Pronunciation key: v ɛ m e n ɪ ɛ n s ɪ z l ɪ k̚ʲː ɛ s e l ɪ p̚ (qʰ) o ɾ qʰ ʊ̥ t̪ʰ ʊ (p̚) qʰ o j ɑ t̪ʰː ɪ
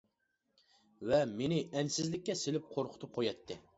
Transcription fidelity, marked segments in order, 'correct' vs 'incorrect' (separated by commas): correct, correct